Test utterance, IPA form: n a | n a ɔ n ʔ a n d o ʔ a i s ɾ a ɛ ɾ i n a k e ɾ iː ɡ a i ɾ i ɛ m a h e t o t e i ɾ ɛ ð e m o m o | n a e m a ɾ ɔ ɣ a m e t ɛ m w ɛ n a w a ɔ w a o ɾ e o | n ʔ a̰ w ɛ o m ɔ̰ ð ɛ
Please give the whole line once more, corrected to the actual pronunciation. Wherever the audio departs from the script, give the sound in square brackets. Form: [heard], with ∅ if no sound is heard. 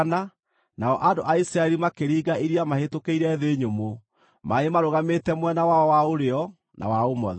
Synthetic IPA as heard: n a | n a ɔ [∅] ʔ a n d o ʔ a i s ɾ a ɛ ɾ i [m] a k e ɾ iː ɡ a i ɾ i [a] m a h e t o [k] e i ɾ ɛ ð e [ɲ] o m o | [m] a e m a ɾ [o] ɣ a m e t ɛ m w ɛ n a w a ɔ w a o ɾ e [ɔ] | n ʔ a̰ w [a] o m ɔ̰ ð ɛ